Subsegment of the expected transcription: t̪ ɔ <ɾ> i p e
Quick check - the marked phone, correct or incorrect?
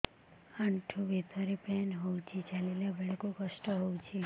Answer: correct